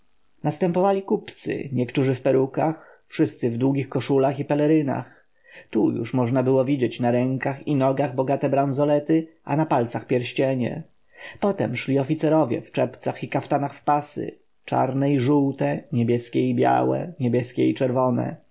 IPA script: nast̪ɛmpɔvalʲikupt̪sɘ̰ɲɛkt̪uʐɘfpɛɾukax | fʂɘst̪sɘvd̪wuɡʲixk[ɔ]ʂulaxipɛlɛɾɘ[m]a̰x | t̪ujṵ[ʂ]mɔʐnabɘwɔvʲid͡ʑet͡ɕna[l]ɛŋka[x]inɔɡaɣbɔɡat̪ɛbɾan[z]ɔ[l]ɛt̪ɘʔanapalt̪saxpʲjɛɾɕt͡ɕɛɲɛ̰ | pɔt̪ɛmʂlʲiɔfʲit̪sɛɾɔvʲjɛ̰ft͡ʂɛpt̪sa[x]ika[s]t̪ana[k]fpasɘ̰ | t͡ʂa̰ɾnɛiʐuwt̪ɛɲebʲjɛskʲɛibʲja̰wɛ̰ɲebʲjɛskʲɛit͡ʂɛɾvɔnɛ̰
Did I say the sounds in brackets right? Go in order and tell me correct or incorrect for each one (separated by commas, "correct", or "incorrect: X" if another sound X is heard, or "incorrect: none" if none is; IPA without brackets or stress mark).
correct, incorrect: n, correct, incorrect: ɾ, correct, correct, correct, correct, incorrect: f, incorrect: x